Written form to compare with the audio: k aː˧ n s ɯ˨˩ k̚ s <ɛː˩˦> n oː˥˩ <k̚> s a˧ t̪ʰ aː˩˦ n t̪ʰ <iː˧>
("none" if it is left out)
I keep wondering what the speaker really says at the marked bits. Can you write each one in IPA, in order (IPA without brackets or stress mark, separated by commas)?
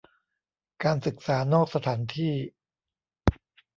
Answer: aː˩˦, k̚, iː˥˩